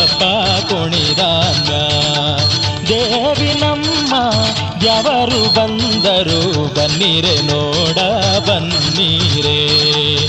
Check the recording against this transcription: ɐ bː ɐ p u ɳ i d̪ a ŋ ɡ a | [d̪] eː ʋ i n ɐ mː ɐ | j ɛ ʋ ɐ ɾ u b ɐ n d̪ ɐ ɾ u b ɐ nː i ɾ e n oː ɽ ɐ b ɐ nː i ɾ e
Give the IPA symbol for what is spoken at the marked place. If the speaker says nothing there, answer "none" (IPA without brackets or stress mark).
d̪